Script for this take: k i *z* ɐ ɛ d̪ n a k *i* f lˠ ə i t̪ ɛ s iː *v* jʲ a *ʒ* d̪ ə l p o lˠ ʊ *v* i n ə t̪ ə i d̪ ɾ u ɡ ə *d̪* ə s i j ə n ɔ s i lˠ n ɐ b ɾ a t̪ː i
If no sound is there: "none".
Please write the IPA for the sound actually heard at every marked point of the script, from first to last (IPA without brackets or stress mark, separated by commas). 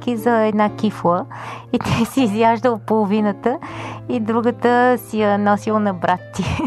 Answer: z, i, z, ʒ, v, t̪